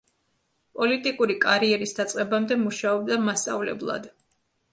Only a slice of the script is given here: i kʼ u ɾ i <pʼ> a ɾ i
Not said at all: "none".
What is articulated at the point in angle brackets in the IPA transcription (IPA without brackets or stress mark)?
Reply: kʼ